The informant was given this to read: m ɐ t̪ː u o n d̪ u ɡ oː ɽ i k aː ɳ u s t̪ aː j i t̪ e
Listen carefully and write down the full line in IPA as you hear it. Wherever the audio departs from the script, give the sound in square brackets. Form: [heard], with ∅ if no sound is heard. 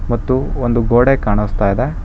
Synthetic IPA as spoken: m ɐ t̪ː u o n d̪ u ɡ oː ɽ [e] k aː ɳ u s t̪ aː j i [d̪] e